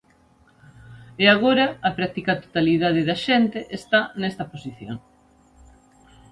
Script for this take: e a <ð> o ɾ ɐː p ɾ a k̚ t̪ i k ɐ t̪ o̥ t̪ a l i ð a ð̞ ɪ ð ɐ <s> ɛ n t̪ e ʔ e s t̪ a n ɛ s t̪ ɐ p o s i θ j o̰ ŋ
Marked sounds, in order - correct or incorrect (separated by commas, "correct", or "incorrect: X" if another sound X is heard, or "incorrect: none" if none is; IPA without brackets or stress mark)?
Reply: incorrect: ɣ, incorrect: ʃ